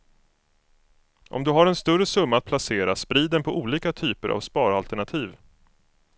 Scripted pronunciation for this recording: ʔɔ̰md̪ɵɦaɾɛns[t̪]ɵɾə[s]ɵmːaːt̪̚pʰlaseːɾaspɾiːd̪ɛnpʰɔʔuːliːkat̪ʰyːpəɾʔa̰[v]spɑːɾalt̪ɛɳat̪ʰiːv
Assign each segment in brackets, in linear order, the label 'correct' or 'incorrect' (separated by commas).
correct, correct, correct